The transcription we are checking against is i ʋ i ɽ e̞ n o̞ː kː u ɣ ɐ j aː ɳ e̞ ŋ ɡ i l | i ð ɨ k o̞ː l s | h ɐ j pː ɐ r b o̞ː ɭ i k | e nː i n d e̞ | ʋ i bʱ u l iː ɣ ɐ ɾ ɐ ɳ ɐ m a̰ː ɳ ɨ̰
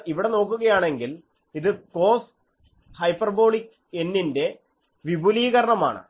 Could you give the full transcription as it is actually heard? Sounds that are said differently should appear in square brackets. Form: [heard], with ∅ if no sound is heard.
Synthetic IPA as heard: i ʋ i ɽ e̞ n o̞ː kː u ɣ ɐ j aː ɳ e̞ ŋ ɡ i l | i ð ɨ k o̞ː [∅] s | h ɐ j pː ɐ r b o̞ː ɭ i k | e nː i n d e̞ | ʋ i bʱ u l iː ɣ ɐ ɾ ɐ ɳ ɐ m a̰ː ɳ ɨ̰